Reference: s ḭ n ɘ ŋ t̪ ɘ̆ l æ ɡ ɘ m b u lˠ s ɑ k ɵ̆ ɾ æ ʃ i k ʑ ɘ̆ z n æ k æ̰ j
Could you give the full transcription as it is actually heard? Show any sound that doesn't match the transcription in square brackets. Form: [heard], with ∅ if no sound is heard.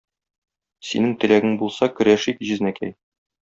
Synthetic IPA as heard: s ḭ n ɘ ŋ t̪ ɘ̆ l æ ɡ ɘ [ŋ] b u lˠ s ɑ k ɵ̆ ɾ æ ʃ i k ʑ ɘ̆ z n æ k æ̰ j